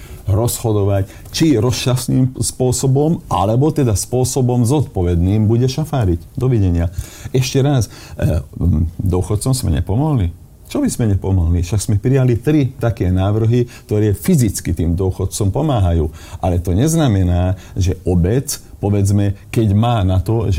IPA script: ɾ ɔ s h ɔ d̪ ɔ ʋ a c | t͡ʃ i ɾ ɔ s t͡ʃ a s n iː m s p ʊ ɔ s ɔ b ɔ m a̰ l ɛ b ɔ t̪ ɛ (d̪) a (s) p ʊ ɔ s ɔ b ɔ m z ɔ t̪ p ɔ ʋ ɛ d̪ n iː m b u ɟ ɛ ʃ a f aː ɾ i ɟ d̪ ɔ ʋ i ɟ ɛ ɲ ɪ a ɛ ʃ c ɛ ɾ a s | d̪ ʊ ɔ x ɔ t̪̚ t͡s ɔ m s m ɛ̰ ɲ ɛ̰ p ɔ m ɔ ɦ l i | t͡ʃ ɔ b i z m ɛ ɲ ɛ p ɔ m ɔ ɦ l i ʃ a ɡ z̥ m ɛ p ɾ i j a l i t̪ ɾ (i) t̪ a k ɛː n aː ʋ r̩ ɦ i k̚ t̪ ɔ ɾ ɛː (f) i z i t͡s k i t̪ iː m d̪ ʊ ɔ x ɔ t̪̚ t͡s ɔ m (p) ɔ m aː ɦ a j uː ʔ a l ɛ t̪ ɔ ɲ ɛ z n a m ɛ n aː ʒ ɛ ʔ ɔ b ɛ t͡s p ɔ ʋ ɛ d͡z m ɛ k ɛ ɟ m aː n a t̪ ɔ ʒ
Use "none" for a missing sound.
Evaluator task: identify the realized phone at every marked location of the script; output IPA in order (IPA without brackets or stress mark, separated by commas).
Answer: d̪, s, i, f, p